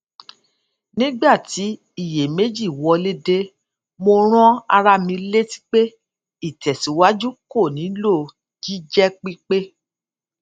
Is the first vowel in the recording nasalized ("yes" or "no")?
yes